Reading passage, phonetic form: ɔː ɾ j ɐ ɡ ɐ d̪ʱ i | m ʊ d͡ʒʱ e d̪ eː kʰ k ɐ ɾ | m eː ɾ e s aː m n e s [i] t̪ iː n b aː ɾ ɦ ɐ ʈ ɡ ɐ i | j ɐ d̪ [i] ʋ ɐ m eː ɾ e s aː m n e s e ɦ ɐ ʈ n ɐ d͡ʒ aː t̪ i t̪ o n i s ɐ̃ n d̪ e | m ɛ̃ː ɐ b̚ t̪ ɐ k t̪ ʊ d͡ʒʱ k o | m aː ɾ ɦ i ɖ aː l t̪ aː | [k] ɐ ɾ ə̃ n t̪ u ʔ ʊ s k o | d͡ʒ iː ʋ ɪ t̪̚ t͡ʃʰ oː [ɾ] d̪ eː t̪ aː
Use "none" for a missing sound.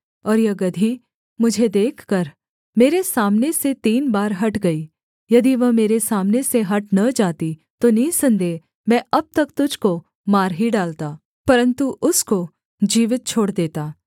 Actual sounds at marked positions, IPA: e, i, p, ɽ

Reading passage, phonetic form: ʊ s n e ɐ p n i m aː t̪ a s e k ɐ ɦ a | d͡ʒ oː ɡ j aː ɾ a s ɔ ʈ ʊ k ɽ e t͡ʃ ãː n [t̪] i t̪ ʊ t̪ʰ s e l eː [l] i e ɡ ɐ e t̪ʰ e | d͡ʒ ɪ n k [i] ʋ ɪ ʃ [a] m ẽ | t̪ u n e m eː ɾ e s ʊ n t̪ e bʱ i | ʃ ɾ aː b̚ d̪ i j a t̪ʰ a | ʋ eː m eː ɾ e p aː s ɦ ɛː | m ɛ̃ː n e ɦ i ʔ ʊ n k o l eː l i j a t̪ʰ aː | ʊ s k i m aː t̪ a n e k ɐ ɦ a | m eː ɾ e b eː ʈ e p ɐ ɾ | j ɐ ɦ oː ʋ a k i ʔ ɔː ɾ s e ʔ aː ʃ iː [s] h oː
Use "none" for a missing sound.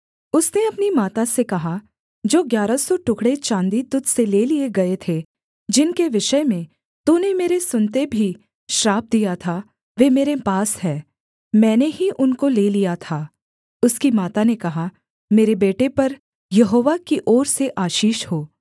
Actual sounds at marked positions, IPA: d̪, l, e, ə, ʃ

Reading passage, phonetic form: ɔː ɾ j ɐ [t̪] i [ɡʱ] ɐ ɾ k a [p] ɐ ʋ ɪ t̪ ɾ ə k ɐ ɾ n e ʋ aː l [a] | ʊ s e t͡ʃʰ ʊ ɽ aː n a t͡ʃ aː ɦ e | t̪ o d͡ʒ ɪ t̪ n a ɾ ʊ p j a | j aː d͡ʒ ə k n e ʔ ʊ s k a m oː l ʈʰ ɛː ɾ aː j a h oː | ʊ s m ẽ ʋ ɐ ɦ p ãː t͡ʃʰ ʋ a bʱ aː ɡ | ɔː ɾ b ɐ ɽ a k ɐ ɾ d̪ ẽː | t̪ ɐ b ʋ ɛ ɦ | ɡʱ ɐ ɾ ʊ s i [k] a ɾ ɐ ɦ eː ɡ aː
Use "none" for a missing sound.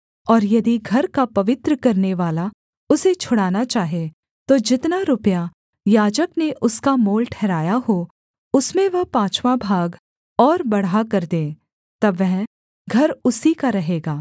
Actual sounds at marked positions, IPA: d̪, ɡʱ, p, a, k

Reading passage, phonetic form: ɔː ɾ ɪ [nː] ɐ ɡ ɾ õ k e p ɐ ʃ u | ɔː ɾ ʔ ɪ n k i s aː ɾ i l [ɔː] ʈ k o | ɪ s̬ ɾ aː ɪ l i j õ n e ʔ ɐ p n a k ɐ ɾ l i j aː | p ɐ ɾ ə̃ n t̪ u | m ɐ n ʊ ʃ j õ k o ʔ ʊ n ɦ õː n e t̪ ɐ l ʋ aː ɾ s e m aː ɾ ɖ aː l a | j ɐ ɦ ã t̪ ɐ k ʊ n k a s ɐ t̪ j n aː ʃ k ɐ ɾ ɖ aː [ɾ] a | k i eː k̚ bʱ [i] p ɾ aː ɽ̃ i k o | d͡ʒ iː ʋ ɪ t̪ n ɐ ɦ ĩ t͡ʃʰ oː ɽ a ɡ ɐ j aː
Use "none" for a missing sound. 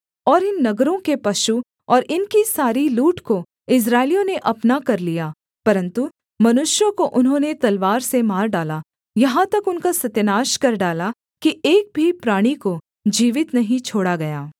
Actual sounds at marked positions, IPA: nː, uː, l, i

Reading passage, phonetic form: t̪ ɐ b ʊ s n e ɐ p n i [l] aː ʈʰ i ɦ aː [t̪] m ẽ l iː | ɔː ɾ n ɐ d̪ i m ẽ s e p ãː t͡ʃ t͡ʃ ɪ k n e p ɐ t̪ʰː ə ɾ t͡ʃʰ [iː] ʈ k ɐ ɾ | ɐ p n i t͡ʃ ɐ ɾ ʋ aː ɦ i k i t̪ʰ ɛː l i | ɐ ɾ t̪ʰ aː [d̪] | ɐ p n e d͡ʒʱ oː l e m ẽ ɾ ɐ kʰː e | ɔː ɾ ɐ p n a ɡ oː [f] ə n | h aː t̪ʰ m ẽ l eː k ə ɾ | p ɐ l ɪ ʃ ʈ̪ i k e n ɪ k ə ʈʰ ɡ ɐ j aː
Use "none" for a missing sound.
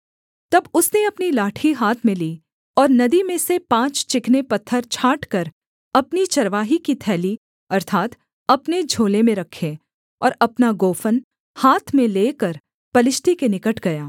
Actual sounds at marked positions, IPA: l, t̪ʰ, aː, t̪, f

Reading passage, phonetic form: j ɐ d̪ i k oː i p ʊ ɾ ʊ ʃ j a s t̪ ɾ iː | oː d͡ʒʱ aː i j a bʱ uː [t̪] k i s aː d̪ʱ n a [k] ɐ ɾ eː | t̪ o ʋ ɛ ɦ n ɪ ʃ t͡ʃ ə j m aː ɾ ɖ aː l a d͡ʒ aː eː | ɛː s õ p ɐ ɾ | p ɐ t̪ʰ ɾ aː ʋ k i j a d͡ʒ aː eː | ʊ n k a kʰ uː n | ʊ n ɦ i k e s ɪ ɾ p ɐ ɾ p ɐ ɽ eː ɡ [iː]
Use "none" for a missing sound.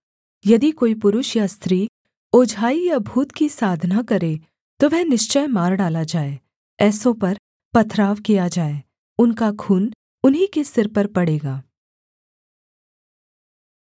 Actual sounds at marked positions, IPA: t̪, k, aː

